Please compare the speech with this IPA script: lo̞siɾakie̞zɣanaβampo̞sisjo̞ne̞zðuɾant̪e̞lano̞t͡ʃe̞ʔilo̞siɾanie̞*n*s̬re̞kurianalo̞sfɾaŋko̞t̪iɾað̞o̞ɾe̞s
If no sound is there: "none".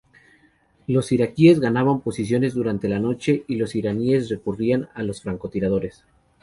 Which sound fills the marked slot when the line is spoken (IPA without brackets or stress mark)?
none